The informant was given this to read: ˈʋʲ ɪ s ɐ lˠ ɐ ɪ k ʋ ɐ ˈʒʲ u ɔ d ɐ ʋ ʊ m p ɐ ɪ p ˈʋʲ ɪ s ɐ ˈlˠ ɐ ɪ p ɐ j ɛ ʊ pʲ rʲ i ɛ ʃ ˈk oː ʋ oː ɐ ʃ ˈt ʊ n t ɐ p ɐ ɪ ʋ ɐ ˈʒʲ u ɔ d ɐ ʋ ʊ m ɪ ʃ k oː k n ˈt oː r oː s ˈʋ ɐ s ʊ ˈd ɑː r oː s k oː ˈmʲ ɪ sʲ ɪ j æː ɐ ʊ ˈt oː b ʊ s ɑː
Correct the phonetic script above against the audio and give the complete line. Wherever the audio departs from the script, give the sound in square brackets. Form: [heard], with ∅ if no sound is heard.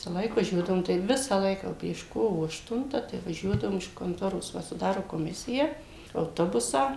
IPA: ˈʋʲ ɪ s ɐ lˠ ɐ ɪ k ʋ ɐ ˈʒʲ u ɔ d ɐ ʋ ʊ m [t] ɐ ɪ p ˈʋʲ ɪ s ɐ ˈlˠ ɐ ɪ [k] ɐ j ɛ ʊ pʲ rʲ i ɛ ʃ ˈk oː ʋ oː ɐ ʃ ˈt ʊ n t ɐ [t] ɐ ɪ ʋ ɐ ˈʒʲ u ɔ d ɐ ʋ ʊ m ɪ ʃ k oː [∅] n ˈt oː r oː s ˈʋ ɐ s ʊ ˈd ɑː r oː [∅] k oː ˈmʲ ɪ sʲ ɪ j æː ɐ ʊ ˈt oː b ʊ s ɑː